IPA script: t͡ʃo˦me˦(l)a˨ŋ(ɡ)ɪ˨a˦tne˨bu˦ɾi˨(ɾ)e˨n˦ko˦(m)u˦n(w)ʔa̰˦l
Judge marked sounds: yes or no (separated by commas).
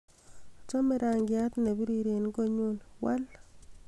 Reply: no, yes, yes, no, yes